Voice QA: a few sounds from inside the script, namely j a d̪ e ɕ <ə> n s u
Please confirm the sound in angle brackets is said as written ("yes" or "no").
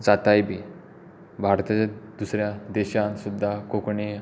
no